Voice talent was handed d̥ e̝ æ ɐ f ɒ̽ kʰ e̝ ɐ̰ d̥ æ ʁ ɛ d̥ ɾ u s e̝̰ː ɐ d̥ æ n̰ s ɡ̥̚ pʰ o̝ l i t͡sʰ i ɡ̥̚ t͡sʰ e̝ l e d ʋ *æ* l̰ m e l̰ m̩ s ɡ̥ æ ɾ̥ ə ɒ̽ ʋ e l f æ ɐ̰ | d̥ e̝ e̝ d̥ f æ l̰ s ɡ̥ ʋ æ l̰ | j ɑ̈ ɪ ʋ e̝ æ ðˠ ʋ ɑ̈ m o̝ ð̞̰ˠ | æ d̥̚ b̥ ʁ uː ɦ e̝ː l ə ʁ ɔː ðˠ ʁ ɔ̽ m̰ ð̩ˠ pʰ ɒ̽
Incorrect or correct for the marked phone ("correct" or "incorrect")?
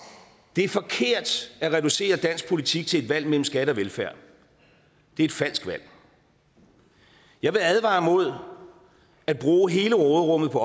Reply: correct